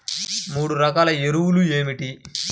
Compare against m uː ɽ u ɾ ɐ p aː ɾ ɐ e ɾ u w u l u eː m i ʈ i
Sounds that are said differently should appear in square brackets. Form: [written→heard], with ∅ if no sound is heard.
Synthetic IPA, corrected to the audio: m uː ɽ u ɾ ɐ [p→k] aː [ɾ→l] ɐ e ɾ u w u l u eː m i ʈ i